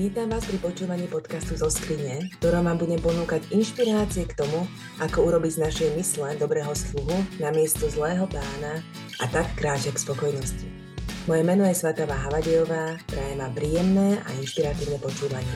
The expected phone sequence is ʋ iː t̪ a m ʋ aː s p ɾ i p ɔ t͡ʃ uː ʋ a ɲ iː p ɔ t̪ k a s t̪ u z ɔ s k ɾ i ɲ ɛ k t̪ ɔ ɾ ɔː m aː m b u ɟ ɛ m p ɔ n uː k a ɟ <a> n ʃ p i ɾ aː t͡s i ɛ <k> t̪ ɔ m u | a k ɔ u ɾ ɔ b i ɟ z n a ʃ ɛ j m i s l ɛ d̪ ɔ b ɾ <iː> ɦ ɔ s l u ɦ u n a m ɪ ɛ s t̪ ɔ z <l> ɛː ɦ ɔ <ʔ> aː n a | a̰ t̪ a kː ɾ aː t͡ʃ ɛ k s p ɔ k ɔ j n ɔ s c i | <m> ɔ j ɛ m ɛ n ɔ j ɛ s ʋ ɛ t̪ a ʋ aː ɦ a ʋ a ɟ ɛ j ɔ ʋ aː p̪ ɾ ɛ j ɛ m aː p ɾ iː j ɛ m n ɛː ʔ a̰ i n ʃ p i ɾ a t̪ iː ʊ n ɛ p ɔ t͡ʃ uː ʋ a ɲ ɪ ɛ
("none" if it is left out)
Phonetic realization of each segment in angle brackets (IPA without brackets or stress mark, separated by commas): i, k, ɛː, l, p, m